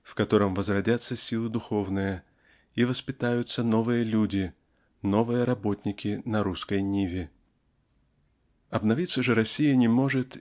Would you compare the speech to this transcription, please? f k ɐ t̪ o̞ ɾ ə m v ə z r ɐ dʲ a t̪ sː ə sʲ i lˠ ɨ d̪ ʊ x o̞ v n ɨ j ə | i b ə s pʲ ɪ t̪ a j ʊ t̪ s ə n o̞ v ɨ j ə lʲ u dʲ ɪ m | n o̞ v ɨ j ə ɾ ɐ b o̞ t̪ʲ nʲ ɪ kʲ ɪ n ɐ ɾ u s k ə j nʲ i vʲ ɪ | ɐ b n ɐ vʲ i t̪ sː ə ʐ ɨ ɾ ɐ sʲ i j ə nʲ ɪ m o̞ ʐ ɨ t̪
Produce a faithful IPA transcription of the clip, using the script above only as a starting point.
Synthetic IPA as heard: f k ɐ t̪ o̞ ɾ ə m v ə z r ɐ dʲ a t̪ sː ə sʲ i lˠ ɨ d̪ ʊ x o̞ v n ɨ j ə | i v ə s pʲ ɪ t̪ a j ʊ t̪ s ə n o̞ v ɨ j ə lʲ u dʲ ɪ | n o̞ v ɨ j ə ɾ ɐ b o̞ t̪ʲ nʲ ɪ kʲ ɪ n ɐ ɾ u s k ə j nʲ i vʲ ɪ | ɐ b n ɐ vʲ i t̪ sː ə ʐ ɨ ɾ ɐ sʲ i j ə nʲ ɪ m o̞ ʐ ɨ t̪